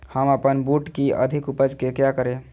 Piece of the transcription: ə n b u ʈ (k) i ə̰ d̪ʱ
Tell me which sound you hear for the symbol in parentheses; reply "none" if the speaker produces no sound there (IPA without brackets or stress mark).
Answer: k